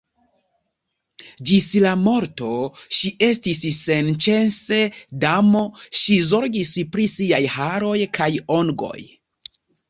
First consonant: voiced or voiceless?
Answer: voiced